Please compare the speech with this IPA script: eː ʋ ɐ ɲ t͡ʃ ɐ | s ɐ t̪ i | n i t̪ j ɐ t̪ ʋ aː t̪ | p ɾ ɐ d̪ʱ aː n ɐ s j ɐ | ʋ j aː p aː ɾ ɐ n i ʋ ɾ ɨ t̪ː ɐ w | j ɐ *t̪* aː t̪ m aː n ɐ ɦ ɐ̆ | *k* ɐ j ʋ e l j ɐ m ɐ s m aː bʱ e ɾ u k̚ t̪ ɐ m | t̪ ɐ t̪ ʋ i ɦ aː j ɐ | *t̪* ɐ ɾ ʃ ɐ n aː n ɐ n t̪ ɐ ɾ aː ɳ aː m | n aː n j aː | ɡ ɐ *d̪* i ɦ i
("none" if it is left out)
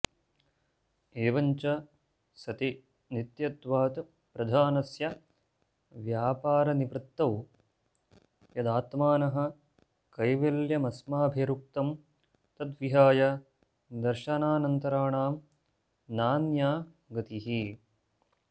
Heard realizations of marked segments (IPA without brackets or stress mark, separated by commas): d̪, k, d̪, t̪